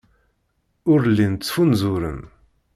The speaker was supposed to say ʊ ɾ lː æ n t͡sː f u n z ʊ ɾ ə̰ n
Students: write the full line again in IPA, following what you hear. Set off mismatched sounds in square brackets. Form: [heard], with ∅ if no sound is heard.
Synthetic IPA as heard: ʊ ɾ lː [i] n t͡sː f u n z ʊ ɾ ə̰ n